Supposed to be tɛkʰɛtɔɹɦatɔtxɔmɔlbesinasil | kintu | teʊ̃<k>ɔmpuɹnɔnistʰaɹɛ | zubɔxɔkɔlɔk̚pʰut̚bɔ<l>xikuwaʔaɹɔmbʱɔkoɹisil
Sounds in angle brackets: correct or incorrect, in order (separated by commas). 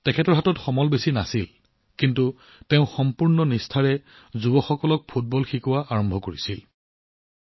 incorrect, correct